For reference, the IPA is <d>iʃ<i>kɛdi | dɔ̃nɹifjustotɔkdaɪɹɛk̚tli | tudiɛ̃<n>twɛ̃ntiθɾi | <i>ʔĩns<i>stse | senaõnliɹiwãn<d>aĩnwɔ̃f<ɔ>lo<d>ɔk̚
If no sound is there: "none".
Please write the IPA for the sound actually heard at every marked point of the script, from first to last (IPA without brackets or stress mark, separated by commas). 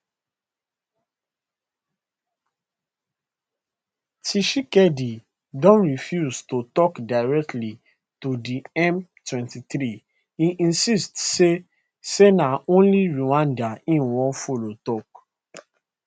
t, i, m, i, i, d, o, t